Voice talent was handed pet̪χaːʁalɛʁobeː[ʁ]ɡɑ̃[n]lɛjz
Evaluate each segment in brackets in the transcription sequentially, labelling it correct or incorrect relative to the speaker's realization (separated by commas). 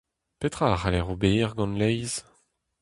correct, correct